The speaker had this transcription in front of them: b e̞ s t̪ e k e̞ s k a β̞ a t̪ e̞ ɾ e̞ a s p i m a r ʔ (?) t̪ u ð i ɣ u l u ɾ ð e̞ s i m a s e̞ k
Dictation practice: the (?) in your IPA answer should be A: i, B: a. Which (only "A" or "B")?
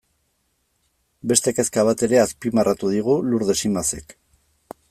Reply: B